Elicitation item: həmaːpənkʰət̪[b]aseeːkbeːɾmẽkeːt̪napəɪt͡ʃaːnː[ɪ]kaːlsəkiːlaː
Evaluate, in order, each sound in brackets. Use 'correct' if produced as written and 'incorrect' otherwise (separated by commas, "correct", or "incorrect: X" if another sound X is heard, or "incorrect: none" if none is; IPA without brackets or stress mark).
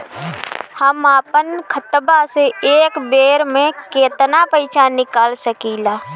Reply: correct, correct